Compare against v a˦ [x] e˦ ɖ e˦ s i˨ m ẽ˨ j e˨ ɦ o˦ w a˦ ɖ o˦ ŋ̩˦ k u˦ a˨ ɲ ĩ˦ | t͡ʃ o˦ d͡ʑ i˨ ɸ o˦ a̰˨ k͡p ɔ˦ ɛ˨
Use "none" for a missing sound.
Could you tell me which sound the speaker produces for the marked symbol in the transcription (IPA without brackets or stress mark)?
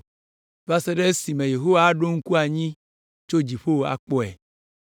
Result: s